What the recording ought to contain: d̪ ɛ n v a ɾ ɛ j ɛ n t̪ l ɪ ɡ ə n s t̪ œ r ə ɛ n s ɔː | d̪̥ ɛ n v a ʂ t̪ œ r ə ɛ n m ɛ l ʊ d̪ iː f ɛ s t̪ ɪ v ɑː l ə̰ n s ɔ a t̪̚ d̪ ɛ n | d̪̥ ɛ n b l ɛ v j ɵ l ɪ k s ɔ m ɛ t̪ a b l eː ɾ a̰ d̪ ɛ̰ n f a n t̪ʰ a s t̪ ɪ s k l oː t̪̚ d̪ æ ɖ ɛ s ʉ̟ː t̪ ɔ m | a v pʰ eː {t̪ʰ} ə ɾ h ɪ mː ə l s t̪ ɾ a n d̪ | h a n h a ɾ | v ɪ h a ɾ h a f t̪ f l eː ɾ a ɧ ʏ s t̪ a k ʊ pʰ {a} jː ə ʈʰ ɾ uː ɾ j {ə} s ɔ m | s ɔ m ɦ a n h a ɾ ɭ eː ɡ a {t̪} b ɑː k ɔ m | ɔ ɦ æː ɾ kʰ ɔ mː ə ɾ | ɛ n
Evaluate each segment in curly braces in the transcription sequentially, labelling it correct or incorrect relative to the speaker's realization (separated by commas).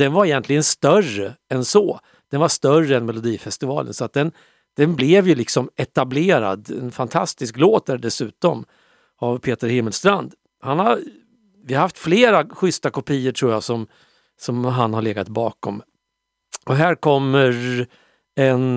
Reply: incorrect, incorrect, incorrect, correct